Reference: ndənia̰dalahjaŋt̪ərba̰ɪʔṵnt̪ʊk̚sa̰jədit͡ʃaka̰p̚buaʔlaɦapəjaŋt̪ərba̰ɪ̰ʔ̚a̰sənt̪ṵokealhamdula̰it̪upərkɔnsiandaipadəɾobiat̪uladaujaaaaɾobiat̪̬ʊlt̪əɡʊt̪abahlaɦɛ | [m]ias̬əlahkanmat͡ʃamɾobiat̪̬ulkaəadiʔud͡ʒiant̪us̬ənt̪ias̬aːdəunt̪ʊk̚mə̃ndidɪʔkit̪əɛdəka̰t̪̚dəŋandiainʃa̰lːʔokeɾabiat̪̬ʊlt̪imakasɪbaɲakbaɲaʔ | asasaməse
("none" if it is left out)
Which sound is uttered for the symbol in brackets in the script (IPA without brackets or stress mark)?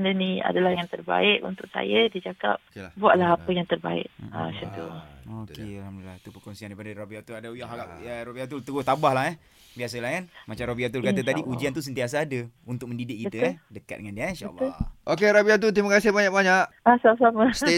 b